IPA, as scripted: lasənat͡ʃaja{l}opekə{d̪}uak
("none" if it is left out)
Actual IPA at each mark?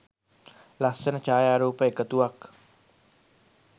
ɾ, t̪

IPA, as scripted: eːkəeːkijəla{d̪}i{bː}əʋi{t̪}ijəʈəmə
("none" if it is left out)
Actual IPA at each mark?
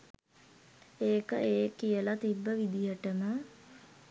t̪, bː, d̪

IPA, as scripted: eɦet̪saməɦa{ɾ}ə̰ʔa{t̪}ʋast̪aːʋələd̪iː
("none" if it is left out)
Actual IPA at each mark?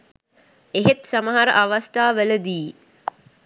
ɾ, none

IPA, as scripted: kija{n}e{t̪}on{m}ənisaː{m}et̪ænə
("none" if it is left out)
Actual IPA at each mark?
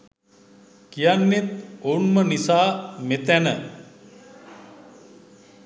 nː, t̪, m, m

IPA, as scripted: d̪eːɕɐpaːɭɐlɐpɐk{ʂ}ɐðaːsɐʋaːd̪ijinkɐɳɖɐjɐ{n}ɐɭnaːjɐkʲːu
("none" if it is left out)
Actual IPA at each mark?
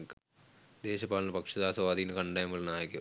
ʂ, m

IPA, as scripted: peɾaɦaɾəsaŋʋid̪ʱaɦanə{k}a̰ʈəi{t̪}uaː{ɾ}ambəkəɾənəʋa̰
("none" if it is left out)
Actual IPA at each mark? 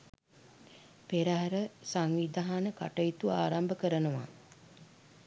k, t̪, ɾ

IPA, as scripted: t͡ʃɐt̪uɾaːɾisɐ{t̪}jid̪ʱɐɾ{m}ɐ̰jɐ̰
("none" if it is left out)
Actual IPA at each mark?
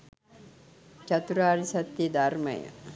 t̪, m

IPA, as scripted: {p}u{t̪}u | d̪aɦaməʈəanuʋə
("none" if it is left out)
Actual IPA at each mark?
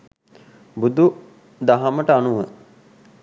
b, d̪

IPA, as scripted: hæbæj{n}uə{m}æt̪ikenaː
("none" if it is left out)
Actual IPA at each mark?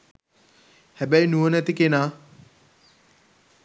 n, n

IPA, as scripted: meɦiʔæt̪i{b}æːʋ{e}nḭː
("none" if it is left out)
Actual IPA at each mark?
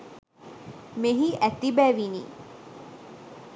b, i

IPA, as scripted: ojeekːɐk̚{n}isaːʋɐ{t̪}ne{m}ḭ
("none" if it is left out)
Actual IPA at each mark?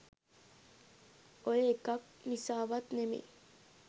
n, t̪, m

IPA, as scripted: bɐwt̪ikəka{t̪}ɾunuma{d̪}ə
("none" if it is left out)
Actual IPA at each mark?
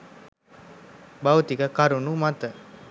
none, t̪

